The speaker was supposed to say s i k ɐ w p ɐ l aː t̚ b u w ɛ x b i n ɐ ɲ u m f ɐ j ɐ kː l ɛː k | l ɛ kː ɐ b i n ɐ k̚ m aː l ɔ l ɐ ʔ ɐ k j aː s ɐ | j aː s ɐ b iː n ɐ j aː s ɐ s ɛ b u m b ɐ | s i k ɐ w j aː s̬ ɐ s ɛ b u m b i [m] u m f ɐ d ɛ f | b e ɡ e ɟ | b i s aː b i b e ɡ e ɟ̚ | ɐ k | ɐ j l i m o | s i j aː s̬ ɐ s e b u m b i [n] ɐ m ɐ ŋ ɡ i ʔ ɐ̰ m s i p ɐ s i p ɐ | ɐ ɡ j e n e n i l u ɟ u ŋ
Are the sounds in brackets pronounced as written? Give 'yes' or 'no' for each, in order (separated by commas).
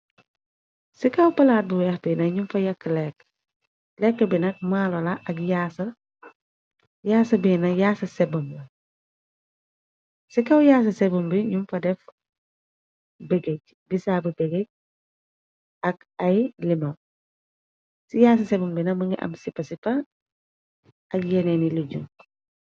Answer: no, yes